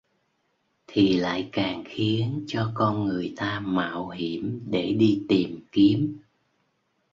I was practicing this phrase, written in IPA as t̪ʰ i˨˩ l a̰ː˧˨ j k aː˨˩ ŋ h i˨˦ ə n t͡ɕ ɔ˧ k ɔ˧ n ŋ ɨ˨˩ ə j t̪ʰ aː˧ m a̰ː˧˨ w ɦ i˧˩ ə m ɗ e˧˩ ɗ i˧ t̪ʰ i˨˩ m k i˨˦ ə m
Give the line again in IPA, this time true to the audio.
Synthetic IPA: t̪ʰ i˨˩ l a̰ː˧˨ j k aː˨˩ ŋ x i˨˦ ə n t͡ɕ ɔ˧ k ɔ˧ n ŋ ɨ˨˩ ə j t̪ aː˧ m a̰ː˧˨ w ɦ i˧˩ ə m ɗ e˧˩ ɗ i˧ t̪ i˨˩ m k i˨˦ ə m